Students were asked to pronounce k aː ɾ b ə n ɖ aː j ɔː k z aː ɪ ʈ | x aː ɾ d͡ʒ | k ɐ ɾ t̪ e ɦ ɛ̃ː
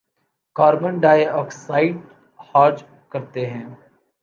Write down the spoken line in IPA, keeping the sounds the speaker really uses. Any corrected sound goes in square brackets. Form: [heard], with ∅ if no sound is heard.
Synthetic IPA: k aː ɾ b ə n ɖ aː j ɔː k [s] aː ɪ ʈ | [h] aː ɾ d͡ʒ | k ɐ ɾ t̪ e ɦ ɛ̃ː